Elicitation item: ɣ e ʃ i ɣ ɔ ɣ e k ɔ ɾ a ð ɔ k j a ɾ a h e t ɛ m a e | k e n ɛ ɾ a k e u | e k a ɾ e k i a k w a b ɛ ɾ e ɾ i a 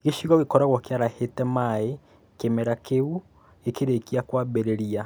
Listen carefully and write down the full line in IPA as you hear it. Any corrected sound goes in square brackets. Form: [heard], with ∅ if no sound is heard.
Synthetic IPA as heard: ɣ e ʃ i ɣ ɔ ɣ e k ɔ ɾ a [ɣ] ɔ k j a ɾ a h e t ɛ m a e | k e [m] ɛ ɾ a k e u | e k [e] ɾ e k i a k w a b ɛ ɾ e ɾ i a